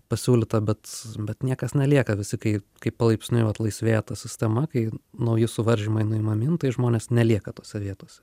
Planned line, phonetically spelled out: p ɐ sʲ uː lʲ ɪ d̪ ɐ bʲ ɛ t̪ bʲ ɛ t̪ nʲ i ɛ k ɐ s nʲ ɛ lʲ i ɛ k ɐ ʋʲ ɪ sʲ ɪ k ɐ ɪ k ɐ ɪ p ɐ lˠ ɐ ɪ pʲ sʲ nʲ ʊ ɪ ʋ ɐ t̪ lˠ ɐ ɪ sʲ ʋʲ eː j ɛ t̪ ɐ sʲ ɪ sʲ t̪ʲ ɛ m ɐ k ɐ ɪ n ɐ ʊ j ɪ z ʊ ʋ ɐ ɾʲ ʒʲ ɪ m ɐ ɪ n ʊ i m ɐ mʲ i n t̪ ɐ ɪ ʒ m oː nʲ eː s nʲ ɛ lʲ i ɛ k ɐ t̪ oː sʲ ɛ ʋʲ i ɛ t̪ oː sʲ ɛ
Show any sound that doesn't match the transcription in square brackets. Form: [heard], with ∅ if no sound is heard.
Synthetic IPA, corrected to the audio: p ɐ sʲ uː lʲ ɪ [t̪] ɐ bʲ ɛ t̪ bʲ ɛ t̪ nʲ i ɛ k ɐ s nʲ ɛ lʲ i ɛ k ɐ ʋʲ ɪ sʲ ɪ k ɐ ɪ k ɐ ɪ p ɐ lˠ ɐ ɪ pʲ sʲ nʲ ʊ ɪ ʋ ɐ t̪ lˠ ɐ ɪ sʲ ʋʲ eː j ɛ t̪ ɐ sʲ ɪ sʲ t̪ʲ ɛ m ɐ k ɐ ɪ n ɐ ʊ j ɪ [s] ʊ ʋ ɐ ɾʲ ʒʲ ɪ m ɐ ɪ n ʊ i m ɐ mʲ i n t̪ ɐ ɪ ʒ m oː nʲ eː s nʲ ɛ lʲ i ɛ k ɐ t̪ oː sʲ ɛ ʋʲ i ɛ t̪ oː sʲ ɛ